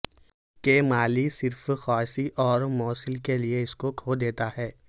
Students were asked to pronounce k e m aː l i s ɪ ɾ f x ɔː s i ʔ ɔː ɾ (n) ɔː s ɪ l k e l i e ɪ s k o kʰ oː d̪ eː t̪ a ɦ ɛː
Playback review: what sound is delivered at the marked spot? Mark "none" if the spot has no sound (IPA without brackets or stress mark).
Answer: m